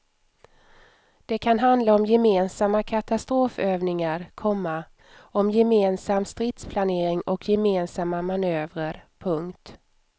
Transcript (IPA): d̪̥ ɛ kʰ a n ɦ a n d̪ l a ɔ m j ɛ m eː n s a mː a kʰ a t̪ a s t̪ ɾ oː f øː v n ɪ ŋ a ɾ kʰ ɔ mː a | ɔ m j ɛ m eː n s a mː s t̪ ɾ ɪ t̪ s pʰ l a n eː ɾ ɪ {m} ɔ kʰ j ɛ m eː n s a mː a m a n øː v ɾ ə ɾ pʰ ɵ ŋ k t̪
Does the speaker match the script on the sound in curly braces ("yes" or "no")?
no